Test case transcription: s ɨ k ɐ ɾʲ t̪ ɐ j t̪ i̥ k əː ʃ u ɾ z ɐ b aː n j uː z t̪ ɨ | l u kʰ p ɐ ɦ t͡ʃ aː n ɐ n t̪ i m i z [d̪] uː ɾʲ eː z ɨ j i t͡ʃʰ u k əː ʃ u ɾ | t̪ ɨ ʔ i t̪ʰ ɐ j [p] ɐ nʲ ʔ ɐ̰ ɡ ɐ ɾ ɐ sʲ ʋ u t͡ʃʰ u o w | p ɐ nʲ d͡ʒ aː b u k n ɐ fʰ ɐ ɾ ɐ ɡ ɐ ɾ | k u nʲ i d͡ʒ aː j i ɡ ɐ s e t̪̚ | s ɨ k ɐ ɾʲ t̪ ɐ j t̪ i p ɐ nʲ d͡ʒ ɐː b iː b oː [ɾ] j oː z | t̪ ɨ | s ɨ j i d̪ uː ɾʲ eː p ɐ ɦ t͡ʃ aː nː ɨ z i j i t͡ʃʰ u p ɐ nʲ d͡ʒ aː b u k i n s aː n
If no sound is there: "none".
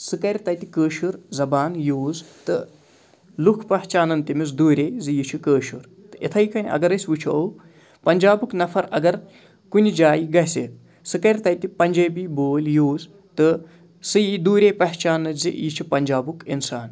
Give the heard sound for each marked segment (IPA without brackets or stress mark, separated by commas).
d̪, k, l